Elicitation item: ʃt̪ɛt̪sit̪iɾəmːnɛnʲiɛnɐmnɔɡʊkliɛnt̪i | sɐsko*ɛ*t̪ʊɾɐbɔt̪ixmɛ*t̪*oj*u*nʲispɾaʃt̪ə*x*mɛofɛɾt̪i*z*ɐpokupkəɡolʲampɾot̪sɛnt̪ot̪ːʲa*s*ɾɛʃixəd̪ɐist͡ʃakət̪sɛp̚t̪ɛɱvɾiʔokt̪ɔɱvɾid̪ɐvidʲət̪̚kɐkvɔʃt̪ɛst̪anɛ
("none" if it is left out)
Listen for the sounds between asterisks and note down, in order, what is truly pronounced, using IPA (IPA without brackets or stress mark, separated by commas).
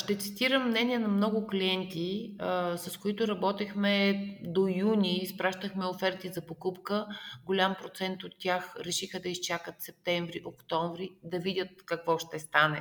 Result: i, d̪, u, x, z, x